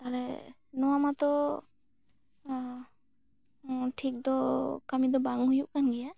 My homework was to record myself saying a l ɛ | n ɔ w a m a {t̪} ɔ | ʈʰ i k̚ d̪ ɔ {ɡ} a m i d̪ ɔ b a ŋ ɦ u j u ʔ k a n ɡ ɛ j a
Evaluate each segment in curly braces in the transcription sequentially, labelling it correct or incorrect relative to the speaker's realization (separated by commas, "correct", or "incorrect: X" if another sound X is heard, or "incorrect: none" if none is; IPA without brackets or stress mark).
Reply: correct, incorrect: k